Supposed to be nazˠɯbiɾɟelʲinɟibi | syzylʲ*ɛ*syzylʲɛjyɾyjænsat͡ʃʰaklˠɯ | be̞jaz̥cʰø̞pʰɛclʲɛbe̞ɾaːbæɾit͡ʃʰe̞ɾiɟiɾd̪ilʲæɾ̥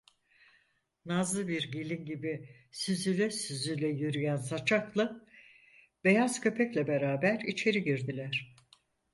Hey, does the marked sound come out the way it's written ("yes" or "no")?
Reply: yes